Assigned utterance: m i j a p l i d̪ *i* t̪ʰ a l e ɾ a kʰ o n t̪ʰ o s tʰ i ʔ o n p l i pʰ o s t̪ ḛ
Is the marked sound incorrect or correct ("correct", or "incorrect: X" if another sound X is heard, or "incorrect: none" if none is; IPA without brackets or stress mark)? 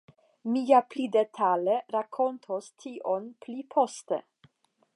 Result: incorrect: e